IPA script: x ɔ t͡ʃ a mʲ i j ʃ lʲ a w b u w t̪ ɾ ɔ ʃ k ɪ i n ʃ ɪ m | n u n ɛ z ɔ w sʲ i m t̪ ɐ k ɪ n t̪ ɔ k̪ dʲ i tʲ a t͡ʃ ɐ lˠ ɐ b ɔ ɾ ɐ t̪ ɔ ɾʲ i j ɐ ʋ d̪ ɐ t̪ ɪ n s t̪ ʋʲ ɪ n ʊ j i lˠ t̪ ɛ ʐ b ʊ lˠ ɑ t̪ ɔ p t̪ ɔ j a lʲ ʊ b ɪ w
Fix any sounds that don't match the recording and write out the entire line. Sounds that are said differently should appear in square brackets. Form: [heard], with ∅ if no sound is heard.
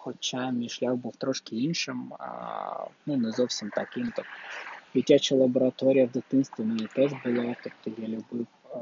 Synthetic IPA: x ɔ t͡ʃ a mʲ i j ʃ lʲ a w b u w t̪ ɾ ɔ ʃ k ɪ i n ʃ ɪ m | n u n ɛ z ɔ w sʲ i m t̪ ɐ k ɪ [m] t̪ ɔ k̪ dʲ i tʲ a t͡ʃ ɐ lˠ ɐ b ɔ ɾ ɐ t̪ ɔ ɾʲ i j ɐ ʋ d̪ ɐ t̪ ɪ n s t̪ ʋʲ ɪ n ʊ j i [∅] t̪ ɛ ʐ b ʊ lˠ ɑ t̪ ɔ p t̪ ɔ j a lʲ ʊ b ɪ w